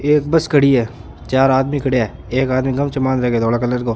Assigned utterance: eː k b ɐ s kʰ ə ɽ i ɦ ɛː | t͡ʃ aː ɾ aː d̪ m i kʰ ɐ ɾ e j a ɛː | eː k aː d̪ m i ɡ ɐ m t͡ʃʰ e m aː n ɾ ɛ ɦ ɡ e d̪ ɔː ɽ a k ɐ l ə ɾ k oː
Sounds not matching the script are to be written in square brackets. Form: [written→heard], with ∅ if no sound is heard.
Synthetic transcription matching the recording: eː k b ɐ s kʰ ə ɽ i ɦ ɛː | t͡ʃ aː ɾ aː d̪ m i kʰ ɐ [ɾ→ɽ] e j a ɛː | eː k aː d̪ m i ɡ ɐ m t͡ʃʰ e m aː n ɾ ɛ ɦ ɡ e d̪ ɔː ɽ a k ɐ l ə ɾ k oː